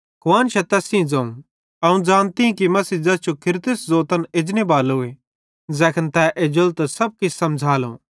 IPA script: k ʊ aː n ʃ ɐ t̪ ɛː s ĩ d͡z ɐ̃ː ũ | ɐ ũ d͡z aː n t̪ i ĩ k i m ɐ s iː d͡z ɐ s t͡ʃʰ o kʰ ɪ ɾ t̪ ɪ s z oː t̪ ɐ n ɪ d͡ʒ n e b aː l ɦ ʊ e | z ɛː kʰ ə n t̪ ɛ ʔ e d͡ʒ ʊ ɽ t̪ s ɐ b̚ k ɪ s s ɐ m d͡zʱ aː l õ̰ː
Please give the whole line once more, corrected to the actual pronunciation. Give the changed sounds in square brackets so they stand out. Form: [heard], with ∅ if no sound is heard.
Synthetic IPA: k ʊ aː n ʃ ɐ t̪ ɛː s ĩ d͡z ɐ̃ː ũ | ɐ ũ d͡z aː n t̪ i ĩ k i m ɐ s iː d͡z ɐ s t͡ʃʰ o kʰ ɪ ɾ t̪ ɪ s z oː t̪ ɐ n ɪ d͡ʒ n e b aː l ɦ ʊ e | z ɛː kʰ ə n t̪ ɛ ʔ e d͡ʒ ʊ [l] t̪ s ɐ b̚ k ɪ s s ɐ m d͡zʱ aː l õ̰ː